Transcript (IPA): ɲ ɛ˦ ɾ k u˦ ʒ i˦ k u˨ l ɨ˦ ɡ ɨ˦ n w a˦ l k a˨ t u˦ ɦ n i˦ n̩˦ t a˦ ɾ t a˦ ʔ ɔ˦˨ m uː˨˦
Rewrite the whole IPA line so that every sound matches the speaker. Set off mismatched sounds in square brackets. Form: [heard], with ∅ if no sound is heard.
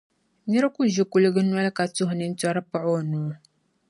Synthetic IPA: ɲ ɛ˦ ɾ k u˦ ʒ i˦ k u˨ l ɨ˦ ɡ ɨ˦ n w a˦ l k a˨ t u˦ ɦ n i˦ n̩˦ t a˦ ɾ [p] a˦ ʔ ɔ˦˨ [n] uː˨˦